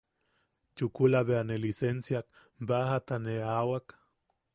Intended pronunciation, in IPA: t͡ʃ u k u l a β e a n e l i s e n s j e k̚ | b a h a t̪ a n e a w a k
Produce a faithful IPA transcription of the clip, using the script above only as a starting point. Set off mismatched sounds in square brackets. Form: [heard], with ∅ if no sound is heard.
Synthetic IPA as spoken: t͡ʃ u k u l a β e a n e l i s e n s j [a] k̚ | b a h a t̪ a n e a w a k